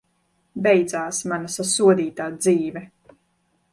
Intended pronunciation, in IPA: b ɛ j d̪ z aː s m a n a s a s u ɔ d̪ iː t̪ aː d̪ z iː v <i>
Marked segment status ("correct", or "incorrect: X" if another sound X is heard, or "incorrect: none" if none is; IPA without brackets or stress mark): incorrect: ɛ